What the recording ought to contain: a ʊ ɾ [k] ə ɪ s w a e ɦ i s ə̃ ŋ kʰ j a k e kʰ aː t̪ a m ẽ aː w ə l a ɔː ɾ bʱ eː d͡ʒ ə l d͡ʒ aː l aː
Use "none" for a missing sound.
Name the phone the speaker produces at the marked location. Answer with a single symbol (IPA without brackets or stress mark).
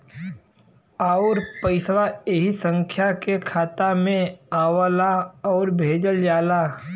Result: p